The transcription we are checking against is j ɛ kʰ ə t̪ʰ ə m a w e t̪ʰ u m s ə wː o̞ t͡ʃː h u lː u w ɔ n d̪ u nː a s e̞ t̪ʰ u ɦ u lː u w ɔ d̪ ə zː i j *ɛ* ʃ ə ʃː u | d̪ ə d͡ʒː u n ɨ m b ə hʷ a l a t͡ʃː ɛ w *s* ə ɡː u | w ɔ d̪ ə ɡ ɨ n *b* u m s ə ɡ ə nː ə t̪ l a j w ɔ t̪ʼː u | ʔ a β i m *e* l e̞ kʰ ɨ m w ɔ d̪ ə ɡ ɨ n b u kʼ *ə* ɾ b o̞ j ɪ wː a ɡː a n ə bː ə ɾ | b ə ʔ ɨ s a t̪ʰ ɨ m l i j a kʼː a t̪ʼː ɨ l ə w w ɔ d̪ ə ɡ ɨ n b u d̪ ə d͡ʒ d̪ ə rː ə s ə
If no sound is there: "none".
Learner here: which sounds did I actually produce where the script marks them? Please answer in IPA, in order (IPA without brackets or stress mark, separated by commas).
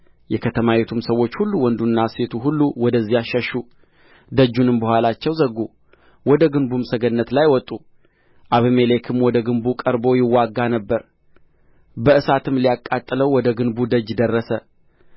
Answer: a, z, b, e, ə